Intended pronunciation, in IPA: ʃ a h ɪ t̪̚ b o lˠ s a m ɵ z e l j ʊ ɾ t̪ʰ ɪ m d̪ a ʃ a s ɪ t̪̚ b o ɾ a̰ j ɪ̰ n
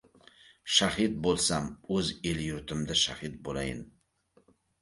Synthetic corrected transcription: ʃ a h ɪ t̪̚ b o lˠ s a m ɵ z e l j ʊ ɾ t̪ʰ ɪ m d̪ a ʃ a h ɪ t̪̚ b o l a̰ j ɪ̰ n